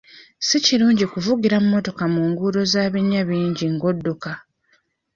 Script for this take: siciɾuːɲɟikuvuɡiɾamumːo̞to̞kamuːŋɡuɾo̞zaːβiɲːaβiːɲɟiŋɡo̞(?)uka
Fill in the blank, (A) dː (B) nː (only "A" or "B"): A